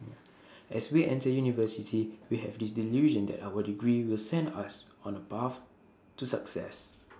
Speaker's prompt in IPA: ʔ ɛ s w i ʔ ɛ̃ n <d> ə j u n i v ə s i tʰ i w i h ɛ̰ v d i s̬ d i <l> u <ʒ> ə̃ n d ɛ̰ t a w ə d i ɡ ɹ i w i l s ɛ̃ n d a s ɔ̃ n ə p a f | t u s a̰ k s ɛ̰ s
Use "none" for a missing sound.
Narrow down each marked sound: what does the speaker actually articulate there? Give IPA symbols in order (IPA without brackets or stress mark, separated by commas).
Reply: t, l, ʒ